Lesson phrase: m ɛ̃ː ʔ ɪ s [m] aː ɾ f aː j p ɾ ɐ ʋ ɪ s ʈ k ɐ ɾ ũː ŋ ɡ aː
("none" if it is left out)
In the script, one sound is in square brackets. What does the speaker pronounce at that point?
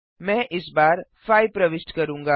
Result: b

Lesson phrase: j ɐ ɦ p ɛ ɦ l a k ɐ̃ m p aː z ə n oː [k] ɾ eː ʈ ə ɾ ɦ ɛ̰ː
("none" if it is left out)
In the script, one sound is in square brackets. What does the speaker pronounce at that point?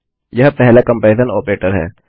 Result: p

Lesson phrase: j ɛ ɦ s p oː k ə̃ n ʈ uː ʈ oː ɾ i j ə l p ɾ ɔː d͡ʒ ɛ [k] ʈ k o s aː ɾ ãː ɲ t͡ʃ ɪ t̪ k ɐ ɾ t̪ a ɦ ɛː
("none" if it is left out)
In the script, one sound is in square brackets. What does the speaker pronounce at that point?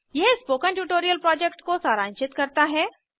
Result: k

